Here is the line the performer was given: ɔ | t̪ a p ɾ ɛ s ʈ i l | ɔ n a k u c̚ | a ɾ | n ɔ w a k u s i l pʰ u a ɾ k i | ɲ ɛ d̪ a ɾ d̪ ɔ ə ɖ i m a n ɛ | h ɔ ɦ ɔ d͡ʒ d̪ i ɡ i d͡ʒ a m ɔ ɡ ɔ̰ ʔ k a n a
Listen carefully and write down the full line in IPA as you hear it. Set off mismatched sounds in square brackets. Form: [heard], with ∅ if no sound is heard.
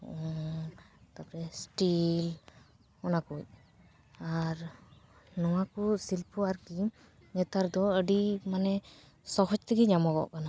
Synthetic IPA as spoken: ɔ | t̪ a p ɾ ɛ s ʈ i l | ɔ n a k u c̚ | a ɾ | n ɔ w a k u s i l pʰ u a ɾ k i | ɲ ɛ [t̪] a ɾ d̪ ɔ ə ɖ i m a n ɛ | [s] ɔ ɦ ɔ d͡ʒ [t̪] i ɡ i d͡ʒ a m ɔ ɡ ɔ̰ ʔ k a n a